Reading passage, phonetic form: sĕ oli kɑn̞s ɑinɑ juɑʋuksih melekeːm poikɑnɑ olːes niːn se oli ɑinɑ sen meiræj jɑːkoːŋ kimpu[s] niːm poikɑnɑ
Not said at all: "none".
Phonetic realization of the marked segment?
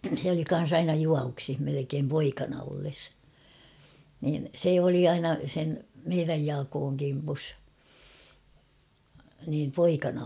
s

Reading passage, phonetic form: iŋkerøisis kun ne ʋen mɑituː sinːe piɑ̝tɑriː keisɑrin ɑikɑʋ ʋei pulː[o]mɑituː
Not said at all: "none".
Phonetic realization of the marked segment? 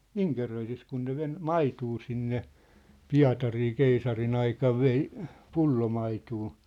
o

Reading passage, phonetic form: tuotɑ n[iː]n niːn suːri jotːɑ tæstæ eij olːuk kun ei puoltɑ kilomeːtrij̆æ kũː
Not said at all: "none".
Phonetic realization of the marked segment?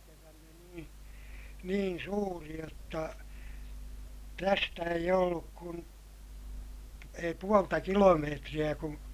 iː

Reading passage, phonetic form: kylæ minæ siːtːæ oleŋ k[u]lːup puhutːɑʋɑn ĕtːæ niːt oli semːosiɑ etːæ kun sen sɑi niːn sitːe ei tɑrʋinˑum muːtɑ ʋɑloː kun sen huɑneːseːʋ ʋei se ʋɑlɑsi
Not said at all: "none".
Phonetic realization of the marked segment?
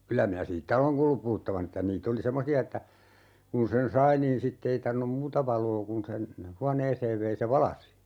uː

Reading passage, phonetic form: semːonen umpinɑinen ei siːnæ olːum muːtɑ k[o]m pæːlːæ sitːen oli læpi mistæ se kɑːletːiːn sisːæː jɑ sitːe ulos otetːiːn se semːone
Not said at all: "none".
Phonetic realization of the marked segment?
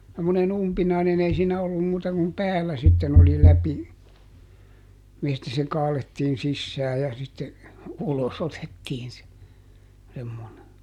u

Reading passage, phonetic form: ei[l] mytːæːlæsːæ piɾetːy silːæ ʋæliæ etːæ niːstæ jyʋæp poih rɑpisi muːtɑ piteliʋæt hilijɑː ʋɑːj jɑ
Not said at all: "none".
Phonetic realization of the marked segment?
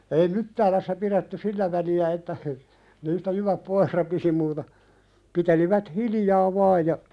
none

